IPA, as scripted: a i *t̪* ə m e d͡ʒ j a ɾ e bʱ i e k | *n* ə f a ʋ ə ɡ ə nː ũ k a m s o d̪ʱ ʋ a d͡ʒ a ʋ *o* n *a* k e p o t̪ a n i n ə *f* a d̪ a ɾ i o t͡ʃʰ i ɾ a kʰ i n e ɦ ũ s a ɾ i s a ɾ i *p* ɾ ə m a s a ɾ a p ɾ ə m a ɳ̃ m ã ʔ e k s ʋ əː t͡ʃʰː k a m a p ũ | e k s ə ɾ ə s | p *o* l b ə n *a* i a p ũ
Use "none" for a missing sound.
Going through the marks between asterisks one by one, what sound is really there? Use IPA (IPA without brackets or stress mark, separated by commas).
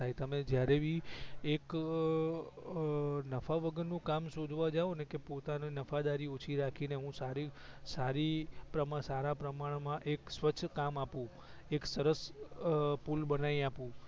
t̪, n, o, e, f, p, u, a